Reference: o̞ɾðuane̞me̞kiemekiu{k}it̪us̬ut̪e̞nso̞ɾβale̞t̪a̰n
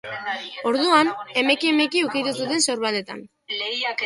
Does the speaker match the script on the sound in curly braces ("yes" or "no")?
yes